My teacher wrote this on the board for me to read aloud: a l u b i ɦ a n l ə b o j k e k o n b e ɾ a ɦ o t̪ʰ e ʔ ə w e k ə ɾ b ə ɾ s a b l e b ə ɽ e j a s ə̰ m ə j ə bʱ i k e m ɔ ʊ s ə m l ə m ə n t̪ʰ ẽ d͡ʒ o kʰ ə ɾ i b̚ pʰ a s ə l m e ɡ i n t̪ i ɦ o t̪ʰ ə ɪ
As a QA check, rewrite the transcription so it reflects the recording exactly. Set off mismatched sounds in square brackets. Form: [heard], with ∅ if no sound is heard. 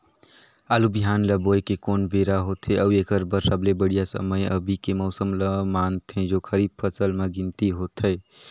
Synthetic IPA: a l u b i ɦ a n l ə b o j k e k o n b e ɾ a ɦ o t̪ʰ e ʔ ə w e k ə ɾ b ə ɾ s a b l e b ə ɽ [i] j a s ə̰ m ə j ə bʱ i k e m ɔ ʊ s ə m l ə m [a] n t̪ʰ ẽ d͡ʒ o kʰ ə ɾ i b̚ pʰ [ə] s ə l m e ɡ i n t̪ i ɦ o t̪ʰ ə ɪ